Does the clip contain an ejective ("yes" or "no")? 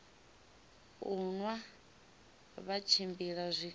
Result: no